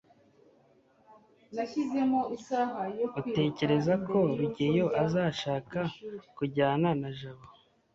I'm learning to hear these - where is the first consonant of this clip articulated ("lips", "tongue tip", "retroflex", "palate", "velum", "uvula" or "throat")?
tongue tip